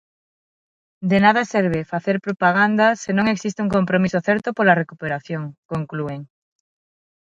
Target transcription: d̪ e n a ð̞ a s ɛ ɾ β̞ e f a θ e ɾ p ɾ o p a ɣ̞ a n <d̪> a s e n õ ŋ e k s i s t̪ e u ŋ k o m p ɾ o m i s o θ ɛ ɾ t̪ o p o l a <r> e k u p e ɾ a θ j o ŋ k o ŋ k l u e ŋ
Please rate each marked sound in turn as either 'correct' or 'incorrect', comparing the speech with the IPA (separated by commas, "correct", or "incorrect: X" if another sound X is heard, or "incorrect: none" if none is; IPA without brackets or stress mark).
correct, correct